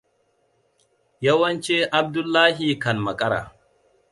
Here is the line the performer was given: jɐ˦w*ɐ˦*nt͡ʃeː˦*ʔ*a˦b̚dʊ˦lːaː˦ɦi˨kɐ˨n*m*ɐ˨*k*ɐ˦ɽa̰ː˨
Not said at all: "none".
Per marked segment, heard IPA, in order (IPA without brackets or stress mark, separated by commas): ɐ˦, ʔ, m, kʼ